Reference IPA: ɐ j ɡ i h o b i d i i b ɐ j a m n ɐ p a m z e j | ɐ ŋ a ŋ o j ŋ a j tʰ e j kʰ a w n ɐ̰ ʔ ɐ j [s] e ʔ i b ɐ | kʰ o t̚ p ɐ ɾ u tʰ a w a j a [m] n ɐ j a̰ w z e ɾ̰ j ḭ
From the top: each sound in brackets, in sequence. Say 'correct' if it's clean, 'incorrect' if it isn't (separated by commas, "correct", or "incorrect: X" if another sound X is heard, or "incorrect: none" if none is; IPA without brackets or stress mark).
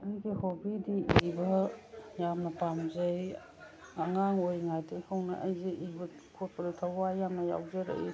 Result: incorrect: z, correct